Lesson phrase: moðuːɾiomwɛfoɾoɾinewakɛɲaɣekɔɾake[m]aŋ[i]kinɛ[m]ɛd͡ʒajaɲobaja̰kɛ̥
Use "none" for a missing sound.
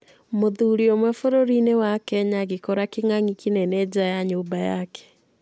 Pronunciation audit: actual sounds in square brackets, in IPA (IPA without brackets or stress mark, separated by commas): ŋ, i, n